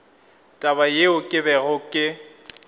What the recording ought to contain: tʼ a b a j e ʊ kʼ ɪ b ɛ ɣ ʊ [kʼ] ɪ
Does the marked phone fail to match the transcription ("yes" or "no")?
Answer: no